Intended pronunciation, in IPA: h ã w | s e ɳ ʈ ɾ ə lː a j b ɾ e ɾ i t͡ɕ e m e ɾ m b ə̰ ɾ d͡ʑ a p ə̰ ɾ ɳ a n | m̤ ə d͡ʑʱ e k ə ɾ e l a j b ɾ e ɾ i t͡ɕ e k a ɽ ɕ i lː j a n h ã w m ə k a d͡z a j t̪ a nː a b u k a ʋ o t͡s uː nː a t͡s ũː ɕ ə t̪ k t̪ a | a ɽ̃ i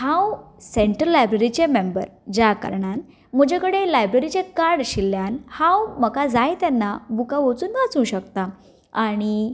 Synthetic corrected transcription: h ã w | s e ɳ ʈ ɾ ə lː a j b ɾ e ɾ i t͡ɕ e m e m b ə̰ ɾ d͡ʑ a k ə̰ ɾ ɳ a n | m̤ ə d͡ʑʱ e k ə ɽ e l a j b ɾ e ɾ i t͡ɕ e k a ɽ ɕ i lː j a n h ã w m ə k a d͡z a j t̪ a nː a b u k a ʋ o t͡s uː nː a t͡s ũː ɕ ə k t̪ a | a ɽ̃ i